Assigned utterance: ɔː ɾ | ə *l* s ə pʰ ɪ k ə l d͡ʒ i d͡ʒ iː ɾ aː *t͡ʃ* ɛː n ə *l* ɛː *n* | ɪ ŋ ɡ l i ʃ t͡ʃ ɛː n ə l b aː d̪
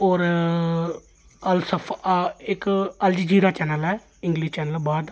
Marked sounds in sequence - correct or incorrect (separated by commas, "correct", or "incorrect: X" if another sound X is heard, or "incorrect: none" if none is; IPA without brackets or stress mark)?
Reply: correct, correct, correct, incorrect: none